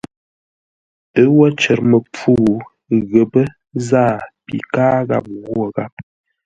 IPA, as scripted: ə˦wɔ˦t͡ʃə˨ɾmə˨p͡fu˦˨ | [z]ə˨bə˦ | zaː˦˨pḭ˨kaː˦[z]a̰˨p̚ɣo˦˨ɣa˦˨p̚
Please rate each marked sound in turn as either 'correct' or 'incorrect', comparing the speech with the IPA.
incorrect, incorrect

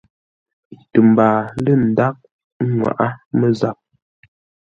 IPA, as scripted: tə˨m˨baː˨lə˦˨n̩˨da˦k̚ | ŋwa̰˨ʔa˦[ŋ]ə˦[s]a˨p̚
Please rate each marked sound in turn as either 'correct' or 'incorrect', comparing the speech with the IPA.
incorrect, incorrect

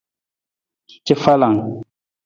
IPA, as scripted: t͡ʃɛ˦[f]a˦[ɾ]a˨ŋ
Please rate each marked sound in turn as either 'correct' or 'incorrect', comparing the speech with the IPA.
correct, incorrect

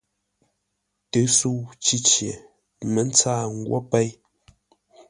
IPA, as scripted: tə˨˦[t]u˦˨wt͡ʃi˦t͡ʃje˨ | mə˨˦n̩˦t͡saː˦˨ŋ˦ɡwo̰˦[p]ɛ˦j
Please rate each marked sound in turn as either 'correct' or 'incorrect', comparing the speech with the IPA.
incorrect, correct

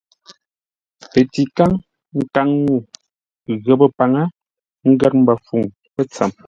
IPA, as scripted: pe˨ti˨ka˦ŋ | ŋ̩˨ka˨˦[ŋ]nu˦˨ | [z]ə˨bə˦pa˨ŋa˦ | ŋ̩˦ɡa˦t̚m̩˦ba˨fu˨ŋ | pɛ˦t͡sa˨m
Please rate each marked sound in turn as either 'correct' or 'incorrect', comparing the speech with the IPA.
correct, incorrect

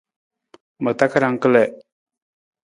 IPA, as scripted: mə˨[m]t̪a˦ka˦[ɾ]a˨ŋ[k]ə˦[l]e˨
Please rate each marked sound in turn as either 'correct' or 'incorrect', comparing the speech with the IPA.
incorrect, correct, correct, correct

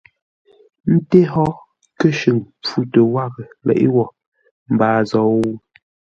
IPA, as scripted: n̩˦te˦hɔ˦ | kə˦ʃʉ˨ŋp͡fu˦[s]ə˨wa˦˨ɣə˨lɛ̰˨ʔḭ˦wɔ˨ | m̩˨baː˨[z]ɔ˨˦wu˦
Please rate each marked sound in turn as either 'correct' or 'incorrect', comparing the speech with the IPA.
incorrect, correct

